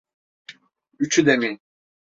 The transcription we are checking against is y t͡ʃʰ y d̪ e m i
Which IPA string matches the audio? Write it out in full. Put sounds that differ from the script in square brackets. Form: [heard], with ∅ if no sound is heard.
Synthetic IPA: y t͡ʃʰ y d̪ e m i